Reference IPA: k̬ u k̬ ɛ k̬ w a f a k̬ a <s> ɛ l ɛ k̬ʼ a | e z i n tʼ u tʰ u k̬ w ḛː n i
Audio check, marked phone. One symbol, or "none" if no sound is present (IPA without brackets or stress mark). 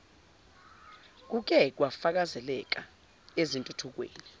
z